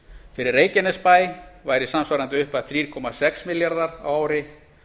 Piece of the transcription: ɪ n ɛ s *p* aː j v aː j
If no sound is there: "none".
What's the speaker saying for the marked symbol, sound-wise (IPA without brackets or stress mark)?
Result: p